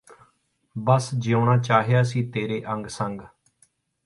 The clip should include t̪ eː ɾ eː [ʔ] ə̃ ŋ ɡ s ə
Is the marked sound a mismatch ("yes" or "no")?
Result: no